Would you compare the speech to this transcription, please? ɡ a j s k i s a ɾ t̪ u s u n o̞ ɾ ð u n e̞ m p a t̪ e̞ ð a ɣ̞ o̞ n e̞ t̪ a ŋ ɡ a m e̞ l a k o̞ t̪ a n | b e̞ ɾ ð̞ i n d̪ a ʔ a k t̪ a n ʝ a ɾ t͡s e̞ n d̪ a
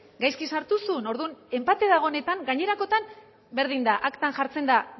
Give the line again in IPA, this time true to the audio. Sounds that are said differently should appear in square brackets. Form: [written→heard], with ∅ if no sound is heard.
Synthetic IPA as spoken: ɡ a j s k i s a ɾ t̪ u s u n o̞ ɾ ð u n e̞ m p a t̪ e̞ ð a ɣ̞ o̞ n e̞ t̪ a ŋ ɡ a [m→ɲ] e̞ [l→ɾ] a k o̞ t̪ a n | b e̞ ɾ ð̞ i n d̪ a ʔ a k t̪ a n ʝ a ɾ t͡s e̞ n d̪ a